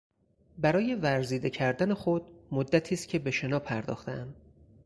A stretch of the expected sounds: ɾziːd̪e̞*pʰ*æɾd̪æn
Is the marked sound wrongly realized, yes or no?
yes